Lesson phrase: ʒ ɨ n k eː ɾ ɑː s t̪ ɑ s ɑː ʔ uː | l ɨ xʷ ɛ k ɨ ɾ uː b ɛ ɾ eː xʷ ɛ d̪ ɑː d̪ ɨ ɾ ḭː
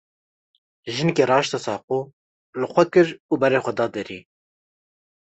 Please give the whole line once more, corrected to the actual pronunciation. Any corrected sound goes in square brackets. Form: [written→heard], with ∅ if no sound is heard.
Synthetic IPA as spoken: ʒ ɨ n k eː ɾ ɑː [s→ʃ] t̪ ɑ s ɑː [ʔ→q] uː | l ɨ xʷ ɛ k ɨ ɾ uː b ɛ ɾ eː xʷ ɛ d̪ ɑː d̪ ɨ ɾ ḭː